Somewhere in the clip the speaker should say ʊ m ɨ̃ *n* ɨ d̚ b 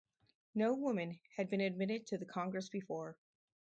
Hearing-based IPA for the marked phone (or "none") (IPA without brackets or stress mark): n